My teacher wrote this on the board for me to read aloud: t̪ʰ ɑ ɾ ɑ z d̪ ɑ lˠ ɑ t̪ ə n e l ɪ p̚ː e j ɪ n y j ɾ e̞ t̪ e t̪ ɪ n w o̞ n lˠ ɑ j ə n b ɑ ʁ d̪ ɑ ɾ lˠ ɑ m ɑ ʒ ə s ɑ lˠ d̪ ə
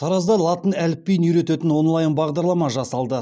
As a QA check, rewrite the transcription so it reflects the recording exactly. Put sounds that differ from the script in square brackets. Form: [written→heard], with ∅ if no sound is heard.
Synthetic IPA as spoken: t̪ʰ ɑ ɾ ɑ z d̪ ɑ lˠ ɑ t̪ ə n [e→æ] l ɪ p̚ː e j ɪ n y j ɾ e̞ t̪ e t̪ ɪ n w o̞ n lˠ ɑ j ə n b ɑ ʁ d̪ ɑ ɾ lˠ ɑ m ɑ ʒ [ə→ɑ] s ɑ lˠ d̪ ə

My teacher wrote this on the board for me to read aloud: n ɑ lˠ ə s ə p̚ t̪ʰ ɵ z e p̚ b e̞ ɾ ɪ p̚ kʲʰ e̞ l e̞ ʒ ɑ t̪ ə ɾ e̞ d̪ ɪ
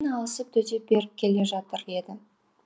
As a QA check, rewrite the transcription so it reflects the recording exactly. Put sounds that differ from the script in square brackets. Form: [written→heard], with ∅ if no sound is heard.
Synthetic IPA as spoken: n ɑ lˠ ə s ə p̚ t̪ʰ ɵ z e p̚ b e̞ ɾ ɪ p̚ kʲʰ e̞ l e̞ ʒ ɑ t̪ ə ɾ e̞ d̪ ɪ

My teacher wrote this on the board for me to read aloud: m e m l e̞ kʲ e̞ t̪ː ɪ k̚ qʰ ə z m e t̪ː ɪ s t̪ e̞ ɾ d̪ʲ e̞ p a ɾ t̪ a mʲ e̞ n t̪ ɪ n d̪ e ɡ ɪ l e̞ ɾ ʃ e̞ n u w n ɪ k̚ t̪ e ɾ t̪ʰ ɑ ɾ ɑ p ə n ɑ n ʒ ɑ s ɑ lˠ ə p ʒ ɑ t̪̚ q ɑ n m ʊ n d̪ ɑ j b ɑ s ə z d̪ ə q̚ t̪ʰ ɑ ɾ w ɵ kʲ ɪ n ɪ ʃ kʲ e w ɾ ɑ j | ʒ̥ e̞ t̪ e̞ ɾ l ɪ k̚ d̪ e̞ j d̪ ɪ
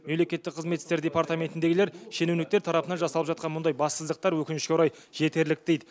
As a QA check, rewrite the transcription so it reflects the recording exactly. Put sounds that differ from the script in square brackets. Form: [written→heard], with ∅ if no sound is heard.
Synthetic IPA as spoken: m e m l e̞ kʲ e̞ t̪ː ɪ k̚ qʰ ə z m e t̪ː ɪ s t̪ e̞ ɾ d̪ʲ e̞ p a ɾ t̪ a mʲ e̞ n t̪ ɪ n d̪ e ɡ ɪ l e̞ ɾ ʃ e̞ n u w n ɪ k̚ t̪ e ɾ t̪ʰ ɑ ɾ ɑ p ə n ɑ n ʒ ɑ s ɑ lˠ ə p ʒ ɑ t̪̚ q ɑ n m ʊ n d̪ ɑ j b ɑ s ə z d̪ ə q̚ [t̪ʰ→t̪] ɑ ɾ w ɵ kʲ ɪ n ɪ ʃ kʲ e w ɾ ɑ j | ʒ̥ e̞ t̪ e̞ ɾ l ɪ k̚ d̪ e̞ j d̪ ɪ

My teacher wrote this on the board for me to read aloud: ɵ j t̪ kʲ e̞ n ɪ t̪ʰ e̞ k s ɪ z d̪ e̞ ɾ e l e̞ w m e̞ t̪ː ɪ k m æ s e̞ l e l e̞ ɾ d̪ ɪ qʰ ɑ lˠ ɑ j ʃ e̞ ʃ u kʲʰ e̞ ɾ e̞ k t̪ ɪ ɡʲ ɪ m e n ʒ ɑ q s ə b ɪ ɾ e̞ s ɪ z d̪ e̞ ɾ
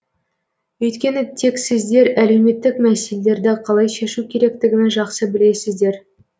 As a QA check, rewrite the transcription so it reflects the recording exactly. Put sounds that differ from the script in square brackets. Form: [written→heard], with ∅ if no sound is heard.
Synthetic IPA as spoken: ɵ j t̪ kʲ e̞ n ɪ t̪ʰ e̞ k s ɪ z d̪ e̞ ɾ [e→æ] l e̞ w m e̞ t̪ː ɪ k m æ s e̞ l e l e̞ ɾ d̪ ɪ qʰ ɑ lˠ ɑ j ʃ e̞ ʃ u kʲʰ e̞ ɾ e̞ k t̪ ɪ ɡʲ ɪ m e n ʒ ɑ q s ə b ɪ [ɾ→l] e̞ s ɪ z d̪ e̞ ɾ

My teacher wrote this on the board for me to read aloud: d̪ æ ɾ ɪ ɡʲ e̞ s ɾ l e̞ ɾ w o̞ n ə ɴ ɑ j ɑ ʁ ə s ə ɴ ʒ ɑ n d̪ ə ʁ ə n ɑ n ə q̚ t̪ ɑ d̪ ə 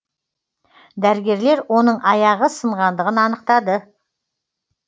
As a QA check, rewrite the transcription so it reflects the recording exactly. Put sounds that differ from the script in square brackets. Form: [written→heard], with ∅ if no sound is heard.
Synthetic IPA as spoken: d̪ æ ɾ ɪ ɡʲ e̞ [s→∅] ɾ l e̞ ɾ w o̞ n ə ɴ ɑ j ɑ ʁ ə s ə ɴ [ʒ→ʁ] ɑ n d̪ ə ʁ ə n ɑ n ə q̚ t̪ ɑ d̪ ə

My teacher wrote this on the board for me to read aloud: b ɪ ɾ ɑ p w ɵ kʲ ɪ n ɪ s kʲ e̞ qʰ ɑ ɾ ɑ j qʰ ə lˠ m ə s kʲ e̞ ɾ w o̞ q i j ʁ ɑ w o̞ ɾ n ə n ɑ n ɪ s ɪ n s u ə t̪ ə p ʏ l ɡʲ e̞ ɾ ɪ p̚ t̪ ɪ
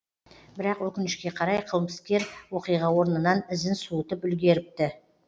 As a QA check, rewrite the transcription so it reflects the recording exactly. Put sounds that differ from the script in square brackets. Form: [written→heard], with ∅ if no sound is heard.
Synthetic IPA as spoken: b ɪ ɾ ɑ [p→q] w ɵ kʲ ɪ n ɪ [s→ʃ] kʲ e̞ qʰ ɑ ɾ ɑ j qʰ ə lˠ m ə s kʲ e̞ ɾ w o̞ q i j ʁ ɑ w o̞ ɾ n ə n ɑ n ɪ [s→z] ɪ n s u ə t̪ ə p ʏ l ɡʲ e̞ ɾ ɪ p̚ t̪ ɪ

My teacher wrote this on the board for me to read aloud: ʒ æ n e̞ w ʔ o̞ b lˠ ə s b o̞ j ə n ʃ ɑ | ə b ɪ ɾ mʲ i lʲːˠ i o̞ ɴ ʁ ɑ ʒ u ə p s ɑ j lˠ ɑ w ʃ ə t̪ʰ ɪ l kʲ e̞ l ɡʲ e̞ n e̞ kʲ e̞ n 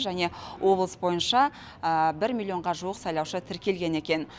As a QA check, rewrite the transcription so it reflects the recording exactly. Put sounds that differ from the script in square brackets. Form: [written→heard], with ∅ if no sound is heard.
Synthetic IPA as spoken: ʒ æ n e̞ w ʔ o̞ b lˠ ə s b o̞ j ə n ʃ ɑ | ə b ɪ ɾ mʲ i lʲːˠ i o̞ ɴ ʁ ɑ ʒ u ə [p→q] s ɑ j lˠ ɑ w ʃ ə t̪ʰ ɪ [l→ɾ] kʲ e̞ l ɡʲ e̞ n e̞ kʲ e̞ n

